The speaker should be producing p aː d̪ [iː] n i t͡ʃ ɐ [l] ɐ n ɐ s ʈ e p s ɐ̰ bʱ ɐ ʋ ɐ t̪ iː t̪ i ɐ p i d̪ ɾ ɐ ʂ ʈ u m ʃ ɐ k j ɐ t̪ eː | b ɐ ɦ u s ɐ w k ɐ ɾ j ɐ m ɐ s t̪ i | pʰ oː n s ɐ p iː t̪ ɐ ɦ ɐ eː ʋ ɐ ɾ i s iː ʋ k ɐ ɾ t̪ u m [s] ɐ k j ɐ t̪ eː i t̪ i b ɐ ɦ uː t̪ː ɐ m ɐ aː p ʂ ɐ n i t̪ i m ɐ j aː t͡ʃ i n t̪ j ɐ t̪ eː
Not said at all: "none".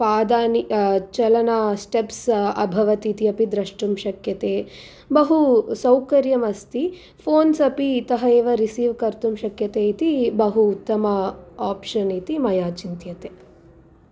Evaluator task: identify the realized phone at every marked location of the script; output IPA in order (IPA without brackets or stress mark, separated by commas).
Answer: aː, l, ʃ